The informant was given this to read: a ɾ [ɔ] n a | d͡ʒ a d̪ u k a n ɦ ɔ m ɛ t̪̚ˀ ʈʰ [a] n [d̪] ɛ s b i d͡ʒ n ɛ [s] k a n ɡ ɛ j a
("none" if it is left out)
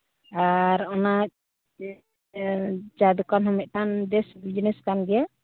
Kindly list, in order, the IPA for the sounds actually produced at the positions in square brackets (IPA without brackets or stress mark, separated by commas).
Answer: ɔ, a, d̪, s